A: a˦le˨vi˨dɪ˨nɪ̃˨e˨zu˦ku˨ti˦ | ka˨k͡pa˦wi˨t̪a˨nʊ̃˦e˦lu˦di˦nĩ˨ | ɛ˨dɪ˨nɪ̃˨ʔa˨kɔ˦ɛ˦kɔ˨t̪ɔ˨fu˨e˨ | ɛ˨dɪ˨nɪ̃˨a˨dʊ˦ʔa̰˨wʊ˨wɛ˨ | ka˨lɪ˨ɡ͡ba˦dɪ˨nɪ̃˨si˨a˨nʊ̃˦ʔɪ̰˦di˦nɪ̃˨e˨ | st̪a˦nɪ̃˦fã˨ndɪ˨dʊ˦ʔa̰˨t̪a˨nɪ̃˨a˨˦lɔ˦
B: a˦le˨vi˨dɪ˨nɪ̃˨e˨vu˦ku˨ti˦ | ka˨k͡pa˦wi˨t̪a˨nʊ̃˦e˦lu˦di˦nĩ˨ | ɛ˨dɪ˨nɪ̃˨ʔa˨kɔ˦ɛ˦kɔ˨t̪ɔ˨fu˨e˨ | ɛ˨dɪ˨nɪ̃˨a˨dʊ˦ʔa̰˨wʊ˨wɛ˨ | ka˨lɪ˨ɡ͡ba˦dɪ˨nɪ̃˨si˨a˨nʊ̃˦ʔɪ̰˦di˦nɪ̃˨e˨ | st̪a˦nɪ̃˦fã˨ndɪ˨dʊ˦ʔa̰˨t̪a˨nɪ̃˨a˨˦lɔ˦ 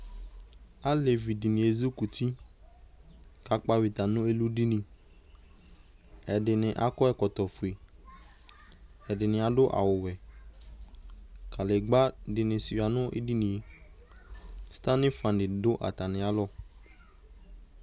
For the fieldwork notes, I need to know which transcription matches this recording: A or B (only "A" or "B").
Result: A